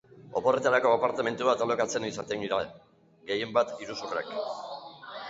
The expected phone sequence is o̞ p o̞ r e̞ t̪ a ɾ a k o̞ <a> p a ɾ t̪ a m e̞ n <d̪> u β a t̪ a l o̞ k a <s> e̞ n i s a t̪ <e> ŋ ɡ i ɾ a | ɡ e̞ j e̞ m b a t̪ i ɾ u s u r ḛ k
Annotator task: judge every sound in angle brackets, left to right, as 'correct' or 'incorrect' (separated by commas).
correct, incorrect, incorrect, correct